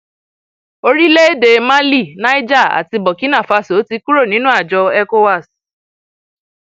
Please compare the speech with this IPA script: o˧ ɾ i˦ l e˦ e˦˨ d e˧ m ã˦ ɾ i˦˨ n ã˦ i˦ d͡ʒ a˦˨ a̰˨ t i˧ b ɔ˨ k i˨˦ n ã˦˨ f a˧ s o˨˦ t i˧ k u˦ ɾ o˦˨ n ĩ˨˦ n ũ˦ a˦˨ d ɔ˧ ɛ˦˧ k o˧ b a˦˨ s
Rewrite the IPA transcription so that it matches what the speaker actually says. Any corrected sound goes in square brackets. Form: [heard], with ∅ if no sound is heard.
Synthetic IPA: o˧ ɾ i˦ l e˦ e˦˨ d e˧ m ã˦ [l] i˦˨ n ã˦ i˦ d͡ʒ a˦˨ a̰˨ t i˧ b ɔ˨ k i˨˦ n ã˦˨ f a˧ s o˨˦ t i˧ k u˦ ɾ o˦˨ n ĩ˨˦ n ũ˦ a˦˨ [d͡ʒ] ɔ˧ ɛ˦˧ k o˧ [w] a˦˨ s